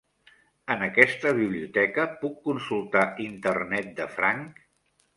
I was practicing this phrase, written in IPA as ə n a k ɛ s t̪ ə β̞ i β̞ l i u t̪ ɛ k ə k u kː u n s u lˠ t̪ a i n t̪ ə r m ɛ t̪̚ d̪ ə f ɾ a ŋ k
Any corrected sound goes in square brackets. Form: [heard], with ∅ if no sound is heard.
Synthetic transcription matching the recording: ə n [ə] k ɛ s t̪ ə β̞ i β̞ l i u t̪ ɛ k ə [p] u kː u n s u lˠ t̪ a i n t̪ ə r [n] ɛ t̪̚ d̪ ə f ɾ a ŋ k